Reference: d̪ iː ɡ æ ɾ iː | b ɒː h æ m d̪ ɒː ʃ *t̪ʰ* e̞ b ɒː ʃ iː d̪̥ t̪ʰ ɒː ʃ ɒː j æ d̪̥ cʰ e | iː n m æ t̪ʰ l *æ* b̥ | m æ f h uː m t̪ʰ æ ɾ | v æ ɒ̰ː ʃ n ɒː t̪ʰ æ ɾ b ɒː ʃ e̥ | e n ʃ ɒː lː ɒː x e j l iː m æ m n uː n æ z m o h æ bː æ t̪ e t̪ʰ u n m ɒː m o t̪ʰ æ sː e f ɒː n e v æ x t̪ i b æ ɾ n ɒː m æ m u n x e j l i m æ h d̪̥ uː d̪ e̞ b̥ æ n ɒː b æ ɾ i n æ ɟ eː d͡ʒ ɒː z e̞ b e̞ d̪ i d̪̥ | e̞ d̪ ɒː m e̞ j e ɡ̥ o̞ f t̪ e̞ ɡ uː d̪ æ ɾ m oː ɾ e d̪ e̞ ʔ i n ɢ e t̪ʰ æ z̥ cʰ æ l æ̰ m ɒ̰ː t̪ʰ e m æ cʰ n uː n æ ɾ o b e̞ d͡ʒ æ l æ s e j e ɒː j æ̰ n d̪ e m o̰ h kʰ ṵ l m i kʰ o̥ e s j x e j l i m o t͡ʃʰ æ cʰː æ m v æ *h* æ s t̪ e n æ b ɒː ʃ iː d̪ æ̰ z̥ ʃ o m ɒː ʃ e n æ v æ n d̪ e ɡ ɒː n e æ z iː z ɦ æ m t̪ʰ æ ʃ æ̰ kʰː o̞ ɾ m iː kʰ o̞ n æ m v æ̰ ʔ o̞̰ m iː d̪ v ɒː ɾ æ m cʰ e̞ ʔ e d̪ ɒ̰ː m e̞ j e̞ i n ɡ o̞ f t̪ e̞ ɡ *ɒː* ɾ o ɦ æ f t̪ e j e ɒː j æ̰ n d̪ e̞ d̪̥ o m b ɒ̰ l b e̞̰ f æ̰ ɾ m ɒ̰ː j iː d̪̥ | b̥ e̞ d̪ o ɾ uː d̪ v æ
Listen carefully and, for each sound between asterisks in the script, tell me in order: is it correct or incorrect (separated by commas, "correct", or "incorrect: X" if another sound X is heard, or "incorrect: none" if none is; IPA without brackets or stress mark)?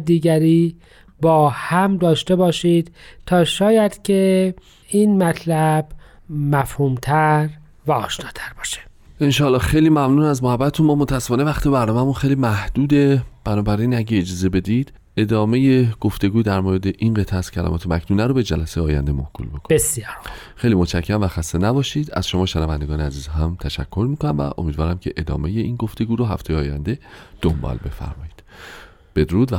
incorrect: t̪, correct, incorrect: x, incorrect: uː